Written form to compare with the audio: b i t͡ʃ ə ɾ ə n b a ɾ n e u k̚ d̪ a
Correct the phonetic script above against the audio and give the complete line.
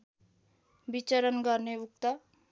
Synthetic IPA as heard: b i t͡ʃ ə ɾ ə n ɡ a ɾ n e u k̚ t̪ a